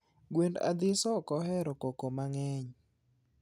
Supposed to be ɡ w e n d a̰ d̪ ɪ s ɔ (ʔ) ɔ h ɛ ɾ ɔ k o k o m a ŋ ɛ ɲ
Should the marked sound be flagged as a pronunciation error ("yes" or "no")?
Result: yes